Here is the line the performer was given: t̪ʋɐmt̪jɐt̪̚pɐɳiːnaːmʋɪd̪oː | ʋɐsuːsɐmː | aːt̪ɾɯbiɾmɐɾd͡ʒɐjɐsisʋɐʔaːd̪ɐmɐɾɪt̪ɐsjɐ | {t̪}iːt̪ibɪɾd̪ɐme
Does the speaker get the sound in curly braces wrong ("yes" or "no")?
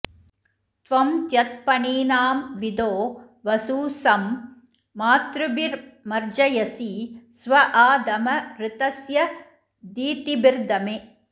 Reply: yes